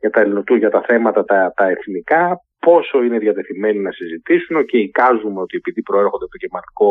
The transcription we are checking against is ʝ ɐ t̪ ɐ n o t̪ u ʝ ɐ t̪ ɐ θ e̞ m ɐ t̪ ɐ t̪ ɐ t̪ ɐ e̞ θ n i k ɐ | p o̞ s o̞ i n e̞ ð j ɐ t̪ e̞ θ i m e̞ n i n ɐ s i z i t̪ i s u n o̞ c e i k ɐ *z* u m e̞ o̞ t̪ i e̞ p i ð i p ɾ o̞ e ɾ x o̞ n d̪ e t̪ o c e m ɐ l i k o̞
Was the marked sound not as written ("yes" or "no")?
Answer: no